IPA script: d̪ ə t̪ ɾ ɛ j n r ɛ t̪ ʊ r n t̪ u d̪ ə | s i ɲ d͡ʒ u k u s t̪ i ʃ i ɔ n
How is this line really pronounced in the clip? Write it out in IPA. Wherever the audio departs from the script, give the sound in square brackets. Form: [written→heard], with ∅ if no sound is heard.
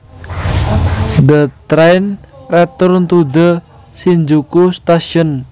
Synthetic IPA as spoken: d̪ ə t̪ ɾ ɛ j n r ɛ t̪ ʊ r n t̪ u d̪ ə | s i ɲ d͡ʒ u k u s t̪ [i→a] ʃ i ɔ n

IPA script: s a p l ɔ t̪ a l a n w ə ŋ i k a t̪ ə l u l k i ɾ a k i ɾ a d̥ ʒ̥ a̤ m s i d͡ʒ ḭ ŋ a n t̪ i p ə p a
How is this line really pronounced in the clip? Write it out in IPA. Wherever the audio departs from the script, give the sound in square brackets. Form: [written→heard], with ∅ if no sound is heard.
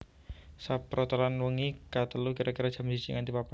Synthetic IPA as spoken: s a p [l→ɾ] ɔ t̪ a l a n w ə ŋ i k a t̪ ə l u [l→∅] k i ɾ a k i ɾ a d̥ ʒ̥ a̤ m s i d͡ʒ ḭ ŋ a n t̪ i p [ə→a] p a

